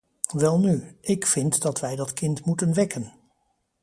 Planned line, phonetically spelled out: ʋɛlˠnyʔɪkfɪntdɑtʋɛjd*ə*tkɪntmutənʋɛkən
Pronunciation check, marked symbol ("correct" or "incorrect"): incorrect